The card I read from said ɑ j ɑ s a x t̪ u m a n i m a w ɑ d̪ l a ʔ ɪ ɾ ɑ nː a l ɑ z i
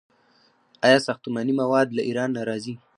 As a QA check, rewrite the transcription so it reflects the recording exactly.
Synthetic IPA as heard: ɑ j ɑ s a x t̪ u m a n i m a w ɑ d̪ l a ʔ i ɾ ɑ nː a ɾ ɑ z i